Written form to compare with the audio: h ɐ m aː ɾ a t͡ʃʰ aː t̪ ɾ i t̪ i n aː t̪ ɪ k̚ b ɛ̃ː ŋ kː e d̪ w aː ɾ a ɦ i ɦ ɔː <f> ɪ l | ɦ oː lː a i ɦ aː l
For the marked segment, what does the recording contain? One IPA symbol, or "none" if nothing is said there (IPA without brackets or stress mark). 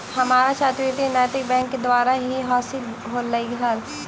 s